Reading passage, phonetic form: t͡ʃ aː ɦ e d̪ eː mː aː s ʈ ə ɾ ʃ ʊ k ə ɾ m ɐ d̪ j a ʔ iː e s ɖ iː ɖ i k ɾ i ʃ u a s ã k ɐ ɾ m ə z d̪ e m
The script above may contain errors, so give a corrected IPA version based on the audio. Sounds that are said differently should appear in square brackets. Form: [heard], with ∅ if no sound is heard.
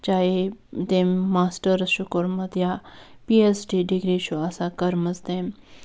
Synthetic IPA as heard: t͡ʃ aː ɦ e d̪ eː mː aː s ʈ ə ɾ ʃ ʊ k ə ɾ m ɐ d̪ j a [p] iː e s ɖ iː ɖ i [ɡ] ɾ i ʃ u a s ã k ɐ ɾ m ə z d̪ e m